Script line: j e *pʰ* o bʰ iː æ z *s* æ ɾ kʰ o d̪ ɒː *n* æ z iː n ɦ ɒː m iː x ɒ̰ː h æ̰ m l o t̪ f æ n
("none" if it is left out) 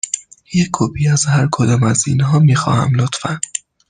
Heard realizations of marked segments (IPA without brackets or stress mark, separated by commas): kʰ, h, m